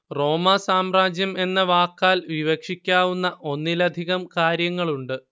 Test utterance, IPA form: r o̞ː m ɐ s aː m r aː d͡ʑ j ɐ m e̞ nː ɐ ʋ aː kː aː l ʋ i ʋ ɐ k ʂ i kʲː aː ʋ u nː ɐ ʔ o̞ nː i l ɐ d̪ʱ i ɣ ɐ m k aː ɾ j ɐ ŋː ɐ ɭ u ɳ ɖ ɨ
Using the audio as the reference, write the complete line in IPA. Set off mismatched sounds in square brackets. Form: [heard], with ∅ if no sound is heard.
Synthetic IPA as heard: r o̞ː m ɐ s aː m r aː d͡ʑ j ɐ m e̞ nː ɐ ʋ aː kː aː l ʋ i ʋ ɐ k ʂ i kʲː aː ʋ u nː ɐ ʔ o̞ nː i l ɐ d̪ʱ i ɣ ɐ m k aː ɾ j ɐ ŋː ɐ ɭ u ɳ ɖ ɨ